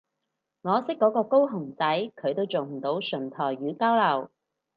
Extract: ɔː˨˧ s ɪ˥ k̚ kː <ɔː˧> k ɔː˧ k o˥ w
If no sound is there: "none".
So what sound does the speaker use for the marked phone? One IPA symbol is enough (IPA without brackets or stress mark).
ɔː˨˥